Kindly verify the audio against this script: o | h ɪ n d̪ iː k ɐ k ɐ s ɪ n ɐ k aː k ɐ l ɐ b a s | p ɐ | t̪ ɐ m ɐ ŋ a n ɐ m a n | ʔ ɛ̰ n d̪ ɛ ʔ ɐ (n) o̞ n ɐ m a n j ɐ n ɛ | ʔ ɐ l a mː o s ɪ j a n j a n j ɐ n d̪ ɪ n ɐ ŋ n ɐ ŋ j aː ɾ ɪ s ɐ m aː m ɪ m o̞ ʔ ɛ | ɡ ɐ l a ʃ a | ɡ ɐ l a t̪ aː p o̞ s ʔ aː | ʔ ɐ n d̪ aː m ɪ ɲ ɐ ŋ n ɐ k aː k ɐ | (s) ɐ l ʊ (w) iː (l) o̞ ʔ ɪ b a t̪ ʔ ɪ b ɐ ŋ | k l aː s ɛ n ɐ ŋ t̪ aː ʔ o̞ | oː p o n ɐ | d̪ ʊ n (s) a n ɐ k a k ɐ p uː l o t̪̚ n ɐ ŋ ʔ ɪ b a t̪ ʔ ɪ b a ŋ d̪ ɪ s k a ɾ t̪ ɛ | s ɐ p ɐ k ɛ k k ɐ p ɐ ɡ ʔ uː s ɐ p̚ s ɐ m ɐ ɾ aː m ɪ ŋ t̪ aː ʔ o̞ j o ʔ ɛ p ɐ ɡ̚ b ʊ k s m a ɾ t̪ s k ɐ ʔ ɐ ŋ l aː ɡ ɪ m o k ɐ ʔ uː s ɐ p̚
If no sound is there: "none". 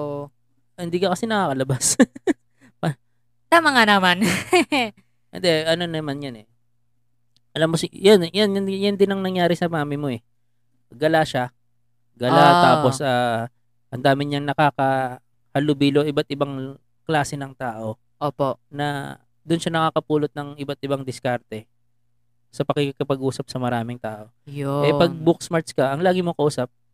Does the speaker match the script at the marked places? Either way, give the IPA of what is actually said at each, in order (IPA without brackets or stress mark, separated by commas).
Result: n, h, b, l, ʃ